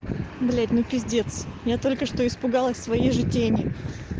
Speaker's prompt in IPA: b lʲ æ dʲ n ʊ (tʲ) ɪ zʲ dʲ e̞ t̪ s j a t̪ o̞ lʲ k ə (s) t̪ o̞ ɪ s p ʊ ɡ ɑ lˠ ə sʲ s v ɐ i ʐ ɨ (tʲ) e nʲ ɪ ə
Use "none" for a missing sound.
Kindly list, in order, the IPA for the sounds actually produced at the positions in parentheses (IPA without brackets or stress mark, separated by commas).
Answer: pʲ, ʂ, tʲ